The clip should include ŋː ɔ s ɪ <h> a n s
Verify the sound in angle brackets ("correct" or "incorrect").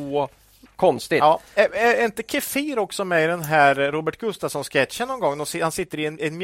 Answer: correct